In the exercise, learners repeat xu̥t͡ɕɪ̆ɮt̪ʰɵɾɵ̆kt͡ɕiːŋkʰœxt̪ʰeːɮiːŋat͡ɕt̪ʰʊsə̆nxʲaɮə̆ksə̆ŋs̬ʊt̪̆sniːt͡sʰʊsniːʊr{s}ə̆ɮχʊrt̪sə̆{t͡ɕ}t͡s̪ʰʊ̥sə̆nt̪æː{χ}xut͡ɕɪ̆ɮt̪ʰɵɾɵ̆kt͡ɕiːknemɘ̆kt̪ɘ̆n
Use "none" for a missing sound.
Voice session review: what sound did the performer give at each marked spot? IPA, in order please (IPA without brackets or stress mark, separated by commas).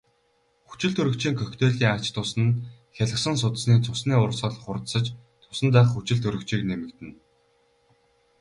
s, t͡ɕ, χ